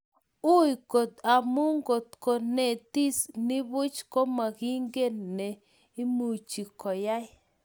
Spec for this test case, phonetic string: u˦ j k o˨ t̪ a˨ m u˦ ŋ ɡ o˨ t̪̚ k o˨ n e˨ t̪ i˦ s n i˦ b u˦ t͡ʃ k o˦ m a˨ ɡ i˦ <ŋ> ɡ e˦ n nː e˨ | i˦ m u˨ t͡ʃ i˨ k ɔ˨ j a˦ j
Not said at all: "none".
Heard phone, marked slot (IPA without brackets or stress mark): ŋ